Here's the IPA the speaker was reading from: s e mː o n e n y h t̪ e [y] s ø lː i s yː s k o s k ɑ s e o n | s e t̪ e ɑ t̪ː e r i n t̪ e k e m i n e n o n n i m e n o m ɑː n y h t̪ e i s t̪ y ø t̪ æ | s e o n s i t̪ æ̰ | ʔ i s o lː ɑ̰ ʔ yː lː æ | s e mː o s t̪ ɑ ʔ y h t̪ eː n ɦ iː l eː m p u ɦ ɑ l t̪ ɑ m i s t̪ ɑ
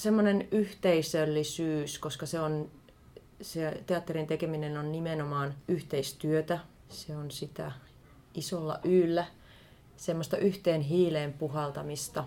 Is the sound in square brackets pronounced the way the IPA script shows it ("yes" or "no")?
no